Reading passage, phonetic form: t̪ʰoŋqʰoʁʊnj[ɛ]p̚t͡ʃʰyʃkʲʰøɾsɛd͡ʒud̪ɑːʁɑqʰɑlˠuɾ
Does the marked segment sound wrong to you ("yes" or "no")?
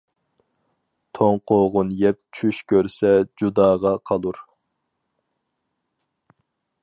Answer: no